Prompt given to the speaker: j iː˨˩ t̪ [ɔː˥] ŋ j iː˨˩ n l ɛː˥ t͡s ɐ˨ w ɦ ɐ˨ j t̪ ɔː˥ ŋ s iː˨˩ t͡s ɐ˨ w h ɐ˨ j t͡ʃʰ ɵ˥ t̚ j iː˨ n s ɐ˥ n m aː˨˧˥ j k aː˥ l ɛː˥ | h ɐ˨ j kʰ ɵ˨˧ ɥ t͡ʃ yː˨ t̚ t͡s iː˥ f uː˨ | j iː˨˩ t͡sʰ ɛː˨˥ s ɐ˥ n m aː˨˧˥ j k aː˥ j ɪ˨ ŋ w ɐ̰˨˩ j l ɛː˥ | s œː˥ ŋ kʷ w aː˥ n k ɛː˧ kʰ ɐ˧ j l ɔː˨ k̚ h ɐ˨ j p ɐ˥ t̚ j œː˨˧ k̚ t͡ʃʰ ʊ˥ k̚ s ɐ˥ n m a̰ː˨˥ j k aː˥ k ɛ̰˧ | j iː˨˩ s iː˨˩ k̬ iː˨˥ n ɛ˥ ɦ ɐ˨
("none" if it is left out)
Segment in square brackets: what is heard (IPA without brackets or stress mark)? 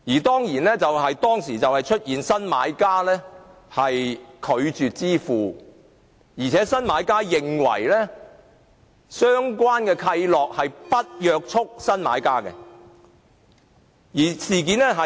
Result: ɔː˥